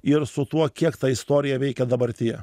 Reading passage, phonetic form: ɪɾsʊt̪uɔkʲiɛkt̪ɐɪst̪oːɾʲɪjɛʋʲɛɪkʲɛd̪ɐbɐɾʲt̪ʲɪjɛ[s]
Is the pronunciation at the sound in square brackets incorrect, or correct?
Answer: incorrect